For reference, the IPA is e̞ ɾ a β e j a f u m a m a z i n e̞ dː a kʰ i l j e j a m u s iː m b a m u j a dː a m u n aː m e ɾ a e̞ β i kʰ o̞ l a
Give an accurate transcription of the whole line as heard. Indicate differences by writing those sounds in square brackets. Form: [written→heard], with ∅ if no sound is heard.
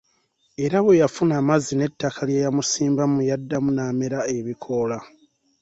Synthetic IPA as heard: e̞ ɾ a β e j a f u [m→n] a m a z i n e̞ [dː→tː] a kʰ [i→a] l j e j a m u s iː m b a m u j a dː a m u n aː m e ɾ a e̞ β i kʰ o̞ l a